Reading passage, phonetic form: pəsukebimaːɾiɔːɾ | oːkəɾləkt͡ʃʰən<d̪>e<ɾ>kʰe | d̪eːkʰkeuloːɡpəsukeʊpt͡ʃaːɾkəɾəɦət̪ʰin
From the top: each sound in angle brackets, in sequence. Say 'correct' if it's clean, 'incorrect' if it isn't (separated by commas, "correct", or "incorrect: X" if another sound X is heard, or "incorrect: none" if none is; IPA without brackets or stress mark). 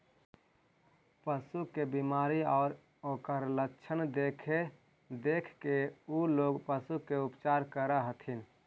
correct, incorrect: none